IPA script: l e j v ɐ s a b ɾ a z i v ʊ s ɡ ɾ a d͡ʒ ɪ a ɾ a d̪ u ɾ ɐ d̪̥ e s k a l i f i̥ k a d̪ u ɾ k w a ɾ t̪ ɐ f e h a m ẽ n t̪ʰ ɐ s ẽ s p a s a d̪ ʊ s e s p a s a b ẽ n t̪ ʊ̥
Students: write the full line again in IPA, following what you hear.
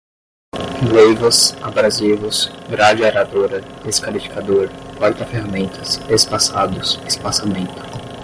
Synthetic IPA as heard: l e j v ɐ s a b ɾ a z i v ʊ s ɡ ɾ a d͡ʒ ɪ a ɾ a d̪ o ɾ ɐ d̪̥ e s k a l i f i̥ k a d̪ o ɾ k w a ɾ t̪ ɐ f e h a m ẽ n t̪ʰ ɐ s e s p a s a d̪ ʊ s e s p a s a m ẽ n t̪ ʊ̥